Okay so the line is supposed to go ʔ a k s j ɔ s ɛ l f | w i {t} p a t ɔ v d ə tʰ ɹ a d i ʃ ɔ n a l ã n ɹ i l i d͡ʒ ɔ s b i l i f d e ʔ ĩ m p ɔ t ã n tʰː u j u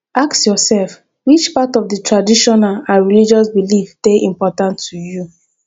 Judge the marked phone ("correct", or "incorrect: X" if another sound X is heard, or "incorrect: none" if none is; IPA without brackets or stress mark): incorrect: t͡ʃ